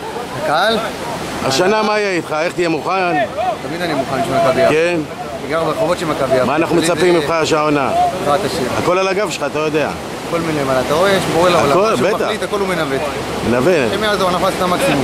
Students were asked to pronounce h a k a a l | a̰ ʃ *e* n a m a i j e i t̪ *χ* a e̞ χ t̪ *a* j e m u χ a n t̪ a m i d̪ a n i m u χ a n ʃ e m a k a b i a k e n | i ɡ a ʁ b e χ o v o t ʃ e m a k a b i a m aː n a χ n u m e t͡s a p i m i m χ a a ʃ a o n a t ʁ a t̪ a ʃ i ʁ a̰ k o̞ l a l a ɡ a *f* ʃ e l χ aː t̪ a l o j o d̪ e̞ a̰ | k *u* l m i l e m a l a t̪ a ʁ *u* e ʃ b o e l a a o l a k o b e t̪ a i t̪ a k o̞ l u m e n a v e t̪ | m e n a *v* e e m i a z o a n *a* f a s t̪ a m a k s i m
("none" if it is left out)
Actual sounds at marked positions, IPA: a, χ, i, v, o, o, v, a

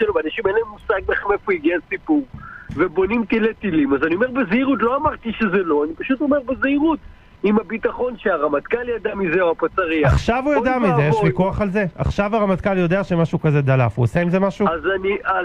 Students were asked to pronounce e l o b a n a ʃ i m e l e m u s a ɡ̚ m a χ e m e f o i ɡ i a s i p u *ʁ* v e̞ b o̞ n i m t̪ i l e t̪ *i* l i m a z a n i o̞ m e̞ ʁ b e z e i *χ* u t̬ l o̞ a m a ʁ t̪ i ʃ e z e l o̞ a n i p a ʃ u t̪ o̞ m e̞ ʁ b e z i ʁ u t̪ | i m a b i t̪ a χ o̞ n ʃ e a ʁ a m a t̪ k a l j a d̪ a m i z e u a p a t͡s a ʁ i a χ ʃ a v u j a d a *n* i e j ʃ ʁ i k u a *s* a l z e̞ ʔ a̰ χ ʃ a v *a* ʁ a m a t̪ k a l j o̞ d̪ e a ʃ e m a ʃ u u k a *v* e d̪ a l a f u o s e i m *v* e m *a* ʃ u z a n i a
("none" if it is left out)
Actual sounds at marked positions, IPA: ʁ, i, ʁ, m, χ, a, z, z, a

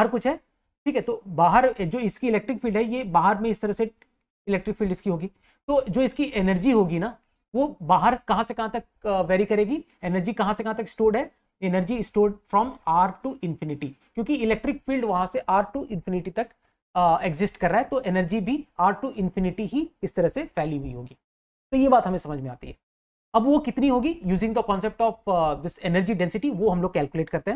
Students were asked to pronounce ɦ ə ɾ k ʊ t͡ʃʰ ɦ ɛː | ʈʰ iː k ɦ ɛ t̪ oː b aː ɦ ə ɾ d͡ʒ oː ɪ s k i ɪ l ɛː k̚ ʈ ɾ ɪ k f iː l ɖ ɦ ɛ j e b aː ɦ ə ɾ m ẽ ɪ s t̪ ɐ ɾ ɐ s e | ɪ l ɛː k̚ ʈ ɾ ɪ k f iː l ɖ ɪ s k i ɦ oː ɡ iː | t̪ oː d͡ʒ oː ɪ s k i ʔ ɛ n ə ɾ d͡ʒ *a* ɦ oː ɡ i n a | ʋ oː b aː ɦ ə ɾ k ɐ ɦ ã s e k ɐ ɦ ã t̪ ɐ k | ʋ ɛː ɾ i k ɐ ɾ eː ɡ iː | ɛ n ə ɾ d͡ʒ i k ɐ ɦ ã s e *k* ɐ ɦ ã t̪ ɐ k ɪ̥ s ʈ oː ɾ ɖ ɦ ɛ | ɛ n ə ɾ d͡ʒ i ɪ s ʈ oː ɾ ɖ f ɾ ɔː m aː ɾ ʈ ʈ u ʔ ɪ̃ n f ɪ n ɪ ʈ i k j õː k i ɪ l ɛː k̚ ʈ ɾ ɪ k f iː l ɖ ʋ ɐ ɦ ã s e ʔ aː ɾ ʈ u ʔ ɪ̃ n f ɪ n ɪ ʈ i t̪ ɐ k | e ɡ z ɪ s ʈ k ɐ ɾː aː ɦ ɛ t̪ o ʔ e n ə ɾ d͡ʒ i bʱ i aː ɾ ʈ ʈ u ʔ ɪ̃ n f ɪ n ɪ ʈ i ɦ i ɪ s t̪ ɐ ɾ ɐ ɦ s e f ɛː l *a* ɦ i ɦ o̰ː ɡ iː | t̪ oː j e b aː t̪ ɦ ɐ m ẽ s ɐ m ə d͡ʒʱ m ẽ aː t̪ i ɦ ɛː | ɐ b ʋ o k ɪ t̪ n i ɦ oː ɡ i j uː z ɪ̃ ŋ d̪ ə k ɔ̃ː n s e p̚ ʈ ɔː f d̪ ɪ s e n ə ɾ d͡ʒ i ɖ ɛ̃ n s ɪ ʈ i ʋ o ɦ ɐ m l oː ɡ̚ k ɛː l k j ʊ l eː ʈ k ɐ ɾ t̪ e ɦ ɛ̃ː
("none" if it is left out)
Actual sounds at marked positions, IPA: i, k, i

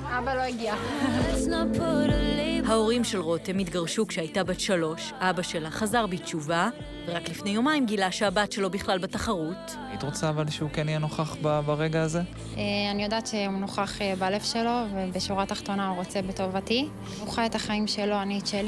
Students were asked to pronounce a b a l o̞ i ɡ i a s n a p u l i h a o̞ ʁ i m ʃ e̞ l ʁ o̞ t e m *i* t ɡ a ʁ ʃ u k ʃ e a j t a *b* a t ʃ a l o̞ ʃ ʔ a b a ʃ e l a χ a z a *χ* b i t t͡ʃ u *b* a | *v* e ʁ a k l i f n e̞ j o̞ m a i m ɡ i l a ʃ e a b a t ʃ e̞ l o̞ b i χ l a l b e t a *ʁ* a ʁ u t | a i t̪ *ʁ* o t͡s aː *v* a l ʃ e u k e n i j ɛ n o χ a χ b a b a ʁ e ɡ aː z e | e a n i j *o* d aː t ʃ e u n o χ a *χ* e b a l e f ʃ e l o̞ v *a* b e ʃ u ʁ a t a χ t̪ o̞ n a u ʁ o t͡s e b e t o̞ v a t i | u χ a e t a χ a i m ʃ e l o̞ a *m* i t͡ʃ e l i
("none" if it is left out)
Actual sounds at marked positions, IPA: i, b, ʁ, v, v, χ, ʁ, v, o, χ, e, n

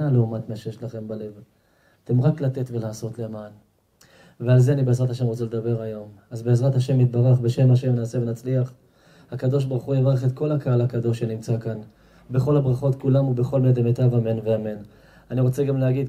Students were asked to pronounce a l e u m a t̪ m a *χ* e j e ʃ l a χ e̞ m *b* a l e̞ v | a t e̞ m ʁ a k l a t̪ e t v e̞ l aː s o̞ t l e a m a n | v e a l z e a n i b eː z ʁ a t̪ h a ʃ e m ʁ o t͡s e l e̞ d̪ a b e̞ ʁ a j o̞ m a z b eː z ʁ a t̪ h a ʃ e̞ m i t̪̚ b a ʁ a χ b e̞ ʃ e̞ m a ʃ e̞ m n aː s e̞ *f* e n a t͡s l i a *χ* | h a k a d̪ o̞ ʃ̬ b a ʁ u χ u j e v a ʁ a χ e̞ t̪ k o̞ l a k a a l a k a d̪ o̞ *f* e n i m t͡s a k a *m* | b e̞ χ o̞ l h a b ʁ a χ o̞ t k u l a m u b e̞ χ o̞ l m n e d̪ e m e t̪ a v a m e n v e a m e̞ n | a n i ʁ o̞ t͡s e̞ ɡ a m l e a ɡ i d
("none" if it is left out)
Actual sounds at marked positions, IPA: ʃ, b, v, χ, ʃ, n

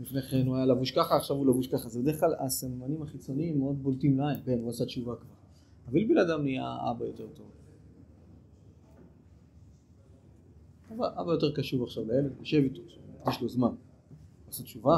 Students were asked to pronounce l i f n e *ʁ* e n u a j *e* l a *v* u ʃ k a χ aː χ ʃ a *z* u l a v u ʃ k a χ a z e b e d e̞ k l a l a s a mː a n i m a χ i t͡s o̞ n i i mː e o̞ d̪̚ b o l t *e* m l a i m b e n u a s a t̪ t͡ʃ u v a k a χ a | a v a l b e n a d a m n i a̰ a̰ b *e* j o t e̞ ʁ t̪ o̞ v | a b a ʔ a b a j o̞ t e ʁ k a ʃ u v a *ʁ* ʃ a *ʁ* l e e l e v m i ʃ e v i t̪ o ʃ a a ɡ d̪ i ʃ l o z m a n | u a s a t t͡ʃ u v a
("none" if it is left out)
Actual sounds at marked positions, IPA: χ, a, v, v, i, a, χ, v

